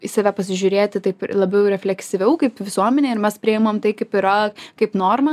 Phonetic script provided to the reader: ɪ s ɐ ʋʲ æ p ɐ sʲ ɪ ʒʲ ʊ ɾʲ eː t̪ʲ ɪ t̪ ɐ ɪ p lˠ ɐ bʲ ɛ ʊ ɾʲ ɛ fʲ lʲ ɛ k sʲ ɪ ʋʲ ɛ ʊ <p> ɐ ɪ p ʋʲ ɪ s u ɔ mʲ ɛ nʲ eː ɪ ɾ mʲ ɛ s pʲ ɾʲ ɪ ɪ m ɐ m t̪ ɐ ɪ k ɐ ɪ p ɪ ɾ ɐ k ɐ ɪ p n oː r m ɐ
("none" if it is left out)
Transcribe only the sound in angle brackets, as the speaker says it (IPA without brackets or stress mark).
k